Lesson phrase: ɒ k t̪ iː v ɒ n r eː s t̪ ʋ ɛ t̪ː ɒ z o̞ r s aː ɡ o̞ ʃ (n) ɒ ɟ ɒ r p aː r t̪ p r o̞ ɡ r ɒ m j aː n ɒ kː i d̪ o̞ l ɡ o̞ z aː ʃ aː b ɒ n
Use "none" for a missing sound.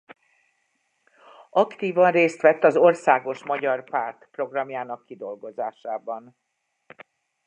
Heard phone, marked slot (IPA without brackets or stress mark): m